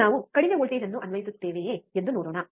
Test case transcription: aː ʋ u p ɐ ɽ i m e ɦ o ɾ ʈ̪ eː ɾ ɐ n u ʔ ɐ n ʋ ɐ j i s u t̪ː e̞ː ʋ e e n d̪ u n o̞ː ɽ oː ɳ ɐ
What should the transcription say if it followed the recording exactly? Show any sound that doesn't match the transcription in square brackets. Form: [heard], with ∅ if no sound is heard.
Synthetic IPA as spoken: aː ʋ u [k] ɐ ɽ i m e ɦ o [ɭ] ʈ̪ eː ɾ ɐ [nː] u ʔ ɐ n ʋ ɐ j i s u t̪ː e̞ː ʋ e e n d̪ u n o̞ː ɽ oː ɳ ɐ